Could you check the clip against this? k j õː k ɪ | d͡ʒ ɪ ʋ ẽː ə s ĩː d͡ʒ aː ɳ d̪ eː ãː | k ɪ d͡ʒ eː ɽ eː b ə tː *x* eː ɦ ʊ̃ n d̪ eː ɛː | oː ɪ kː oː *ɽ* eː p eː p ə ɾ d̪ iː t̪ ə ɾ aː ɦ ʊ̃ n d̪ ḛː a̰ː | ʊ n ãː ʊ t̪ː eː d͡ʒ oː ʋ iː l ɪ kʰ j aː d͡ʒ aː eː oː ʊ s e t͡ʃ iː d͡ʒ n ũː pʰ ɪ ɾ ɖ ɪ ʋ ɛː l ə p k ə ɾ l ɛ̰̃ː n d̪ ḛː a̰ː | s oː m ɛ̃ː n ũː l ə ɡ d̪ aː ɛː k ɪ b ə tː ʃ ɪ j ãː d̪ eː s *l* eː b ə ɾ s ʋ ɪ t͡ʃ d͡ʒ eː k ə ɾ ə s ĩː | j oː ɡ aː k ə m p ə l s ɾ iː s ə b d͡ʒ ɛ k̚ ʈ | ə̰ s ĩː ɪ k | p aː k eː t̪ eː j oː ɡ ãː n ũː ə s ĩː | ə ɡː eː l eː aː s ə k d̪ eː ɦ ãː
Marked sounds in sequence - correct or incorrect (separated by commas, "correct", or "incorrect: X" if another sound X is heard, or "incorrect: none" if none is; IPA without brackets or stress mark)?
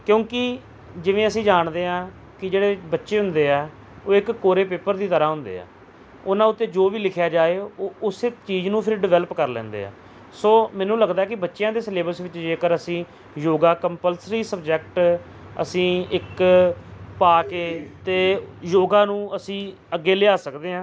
incorrect: ʃ, incorrect: ɾ, correct